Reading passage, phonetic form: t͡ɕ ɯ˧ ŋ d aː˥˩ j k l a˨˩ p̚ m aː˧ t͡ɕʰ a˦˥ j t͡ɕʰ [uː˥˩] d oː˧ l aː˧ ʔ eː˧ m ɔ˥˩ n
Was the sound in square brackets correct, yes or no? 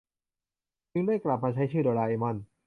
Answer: no